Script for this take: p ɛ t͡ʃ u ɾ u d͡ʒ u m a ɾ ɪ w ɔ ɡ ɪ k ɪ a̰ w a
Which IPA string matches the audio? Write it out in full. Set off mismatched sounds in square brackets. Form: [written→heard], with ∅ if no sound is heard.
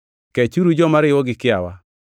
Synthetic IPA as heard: [p→k] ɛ t͡ʃ u ɾ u d͡ʒ [u→ɔ] m a ɾ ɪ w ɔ ɡ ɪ k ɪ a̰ w a